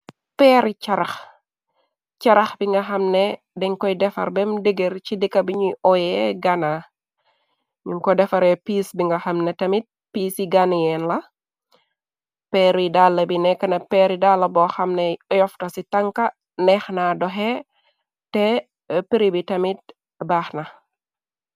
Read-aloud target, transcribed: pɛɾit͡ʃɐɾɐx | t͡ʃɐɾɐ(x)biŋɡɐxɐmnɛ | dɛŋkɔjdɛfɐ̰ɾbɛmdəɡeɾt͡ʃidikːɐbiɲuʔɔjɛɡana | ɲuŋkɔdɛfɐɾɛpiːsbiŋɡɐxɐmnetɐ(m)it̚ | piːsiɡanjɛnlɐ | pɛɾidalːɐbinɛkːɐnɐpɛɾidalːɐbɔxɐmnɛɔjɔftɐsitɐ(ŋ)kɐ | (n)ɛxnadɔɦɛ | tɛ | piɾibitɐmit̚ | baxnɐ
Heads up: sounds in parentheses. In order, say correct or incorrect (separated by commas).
correct, correct, correct, correct